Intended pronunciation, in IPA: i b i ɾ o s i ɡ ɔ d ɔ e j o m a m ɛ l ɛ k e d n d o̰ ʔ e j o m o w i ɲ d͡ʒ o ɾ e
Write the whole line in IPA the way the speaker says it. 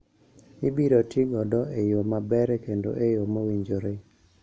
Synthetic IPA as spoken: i b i ɾ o t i ɡ ɔ d ɔ e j o m a b ɛ ɾ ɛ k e n d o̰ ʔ e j o m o w i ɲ d͡ʒ o ɾ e